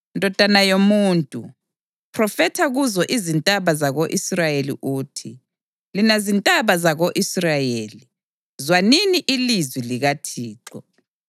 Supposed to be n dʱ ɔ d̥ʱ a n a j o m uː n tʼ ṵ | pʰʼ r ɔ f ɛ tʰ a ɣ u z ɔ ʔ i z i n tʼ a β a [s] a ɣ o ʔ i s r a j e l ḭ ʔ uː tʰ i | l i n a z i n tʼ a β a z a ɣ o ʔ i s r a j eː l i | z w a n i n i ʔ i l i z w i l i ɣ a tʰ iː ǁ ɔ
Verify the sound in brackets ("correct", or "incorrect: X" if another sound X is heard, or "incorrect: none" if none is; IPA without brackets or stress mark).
incorrect: z